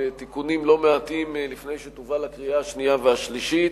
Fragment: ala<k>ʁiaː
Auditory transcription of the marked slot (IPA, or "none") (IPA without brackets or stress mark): k